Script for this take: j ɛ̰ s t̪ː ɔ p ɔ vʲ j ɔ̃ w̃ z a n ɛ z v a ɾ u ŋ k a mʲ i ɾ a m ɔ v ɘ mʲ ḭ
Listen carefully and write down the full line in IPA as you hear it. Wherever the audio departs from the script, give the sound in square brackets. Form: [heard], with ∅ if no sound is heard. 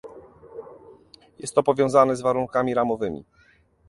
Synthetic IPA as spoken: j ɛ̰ s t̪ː ɔ p ɔ vʲ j ɔ̃ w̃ z a n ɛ z v a ɾ u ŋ k a mʲ i ɾ a m ɔ v ɘ mʲ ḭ